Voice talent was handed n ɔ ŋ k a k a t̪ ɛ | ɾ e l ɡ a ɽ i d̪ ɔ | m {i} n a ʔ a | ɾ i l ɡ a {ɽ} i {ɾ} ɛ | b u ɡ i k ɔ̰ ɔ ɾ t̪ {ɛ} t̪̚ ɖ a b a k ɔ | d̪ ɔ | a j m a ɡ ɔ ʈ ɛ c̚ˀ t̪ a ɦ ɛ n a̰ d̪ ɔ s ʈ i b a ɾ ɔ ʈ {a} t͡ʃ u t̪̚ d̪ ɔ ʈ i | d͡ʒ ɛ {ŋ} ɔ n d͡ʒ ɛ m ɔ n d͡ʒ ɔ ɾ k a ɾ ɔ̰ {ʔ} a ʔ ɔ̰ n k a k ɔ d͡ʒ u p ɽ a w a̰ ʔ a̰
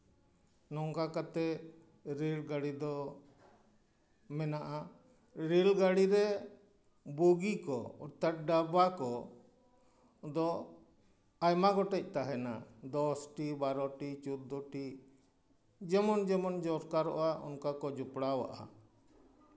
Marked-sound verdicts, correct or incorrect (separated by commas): incorrect, correct, correct, incorrect, incorrect, incorrect, correct